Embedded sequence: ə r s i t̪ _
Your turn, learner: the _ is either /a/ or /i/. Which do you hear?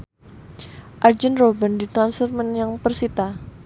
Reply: a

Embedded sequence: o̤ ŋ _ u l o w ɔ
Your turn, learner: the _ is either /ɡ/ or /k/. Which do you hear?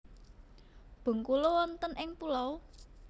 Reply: k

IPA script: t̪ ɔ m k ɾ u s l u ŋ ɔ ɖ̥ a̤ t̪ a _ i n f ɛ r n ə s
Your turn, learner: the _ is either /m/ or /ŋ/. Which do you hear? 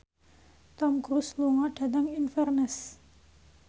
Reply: ŋ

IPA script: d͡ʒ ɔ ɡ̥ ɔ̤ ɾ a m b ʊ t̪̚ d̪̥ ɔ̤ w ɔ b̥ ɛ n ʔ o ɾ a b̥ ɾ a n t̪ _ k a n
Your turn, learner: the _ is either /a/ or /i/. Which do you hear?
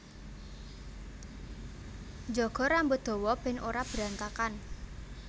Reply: a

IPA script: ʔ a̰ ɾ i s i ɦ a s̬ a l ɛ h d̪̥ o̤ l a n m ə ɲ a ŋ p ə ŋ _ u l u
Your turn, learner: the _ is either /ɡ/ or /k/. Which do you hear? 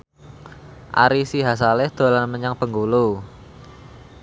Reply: ɡ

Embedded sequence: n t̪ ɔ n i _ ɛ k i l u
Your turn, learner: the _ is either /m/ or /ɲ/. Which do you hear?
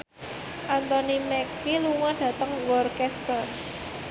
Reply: m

